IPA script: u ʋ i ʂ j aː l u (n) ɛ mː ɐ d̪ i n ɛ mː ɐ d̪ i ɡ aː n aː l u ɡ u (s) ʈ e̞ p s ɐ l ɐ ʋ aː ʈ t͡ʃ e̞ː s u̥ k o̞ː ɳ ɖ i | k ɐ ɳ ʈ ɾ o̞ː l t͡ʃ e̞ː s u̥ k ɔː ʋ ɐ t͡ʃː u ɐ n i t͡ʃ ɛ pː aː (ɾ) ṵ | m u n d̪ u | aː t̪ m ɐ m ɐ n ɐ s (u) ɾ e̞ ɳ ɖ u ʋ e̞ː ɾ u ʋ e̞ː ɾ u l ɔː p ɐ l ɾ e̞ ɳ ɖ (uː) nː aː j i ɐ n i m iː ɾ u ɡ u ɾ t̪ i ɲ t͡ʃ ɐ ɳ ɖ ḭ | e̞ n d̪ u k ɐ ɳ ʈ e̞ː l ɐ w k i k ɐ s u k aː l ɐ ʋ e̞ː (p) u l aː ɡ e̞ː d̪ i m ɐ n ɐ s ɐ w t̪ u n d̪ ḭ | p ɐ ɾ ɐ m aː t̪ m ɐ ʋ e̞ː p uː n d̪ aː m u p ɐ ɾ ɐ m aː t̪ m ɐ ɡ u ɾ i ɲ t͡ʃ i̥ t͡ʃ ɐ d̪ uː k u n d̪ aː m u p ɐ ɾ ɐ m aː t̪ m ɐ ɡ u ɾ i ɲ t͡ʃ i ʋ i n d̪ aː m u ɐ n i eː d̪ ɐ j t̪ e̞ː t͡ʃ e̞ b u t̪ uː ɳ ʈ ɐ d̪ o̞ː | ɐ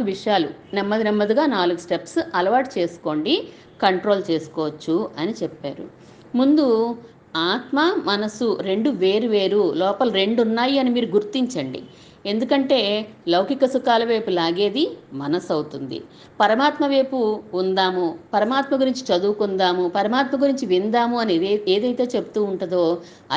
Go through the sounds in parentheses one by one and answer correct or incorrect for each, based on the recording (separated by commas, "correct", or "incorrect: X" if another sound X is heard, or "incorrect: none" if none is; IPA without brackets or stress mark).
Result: correct, correct, correct, correct, incorrect: u, correct